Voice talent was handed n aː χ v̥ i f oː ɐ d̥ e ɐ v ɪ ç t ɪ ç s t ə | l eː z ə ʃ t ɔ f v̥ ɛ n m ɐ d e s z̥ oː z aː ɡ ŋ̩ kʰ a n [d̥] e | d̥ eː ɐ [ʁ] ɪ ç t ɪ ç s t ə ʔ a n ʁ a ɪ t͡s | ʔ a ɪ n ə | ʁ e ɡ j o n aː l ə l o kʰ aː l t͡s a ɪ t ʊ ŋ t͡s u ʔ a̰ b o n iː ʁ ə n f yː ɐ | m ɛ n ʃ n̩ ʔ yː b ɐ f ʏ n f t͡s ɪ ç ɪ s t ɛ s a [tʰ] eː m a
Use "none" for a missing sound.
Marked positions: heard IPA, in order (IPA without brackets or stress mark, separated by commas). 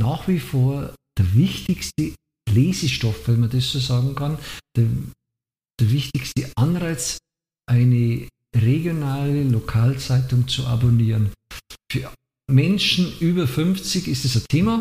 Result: d̥, v, tʰ